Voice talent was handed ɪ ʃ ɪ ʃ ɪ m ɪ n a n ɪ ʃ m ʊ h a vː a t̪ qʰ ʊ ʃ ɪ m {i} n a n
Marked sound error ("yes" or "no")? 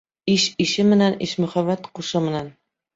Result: yes